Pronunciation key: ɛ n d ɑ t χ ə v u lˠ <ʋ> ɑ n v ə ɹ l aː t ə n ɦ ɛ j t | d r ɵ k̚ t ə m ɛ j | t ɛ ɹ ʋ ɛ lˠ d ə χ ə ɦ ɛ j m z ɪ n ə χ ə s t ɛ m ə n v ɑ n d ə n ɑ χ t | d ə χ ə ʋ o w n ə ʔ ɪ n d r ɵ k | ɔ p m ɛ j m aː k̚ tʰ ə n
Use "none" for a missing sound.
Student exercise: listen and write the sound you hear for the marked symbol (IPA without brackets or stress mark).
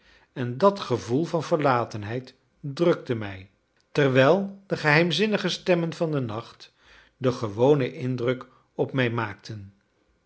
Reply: v